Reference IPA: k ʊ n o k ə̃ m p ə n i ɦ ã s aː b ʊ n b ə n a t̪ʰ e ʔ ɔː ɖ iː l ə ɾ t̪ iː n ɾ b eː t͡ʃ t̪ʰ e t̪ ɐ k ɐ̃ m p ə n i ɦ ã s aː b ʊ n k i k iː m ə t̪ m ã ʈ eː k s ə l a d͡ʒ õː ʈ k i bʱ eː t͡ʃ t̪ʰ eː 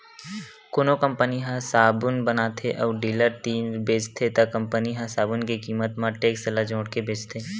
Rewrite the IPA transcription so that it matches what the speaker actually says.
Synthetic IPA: k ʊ n o k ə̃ m p ə n i ɦ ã s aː b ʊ n b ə n a t̪ʰ e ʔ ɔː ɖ iː l ə ɾ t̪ iː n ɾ b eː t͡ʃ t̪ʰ e t̪ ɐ k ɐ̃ m p ə n i ɦ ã s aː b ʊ n k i k iː m ə t̪ m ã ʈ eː k s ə l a d͡ʒ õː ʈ k e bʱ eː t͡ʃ t̪ʰ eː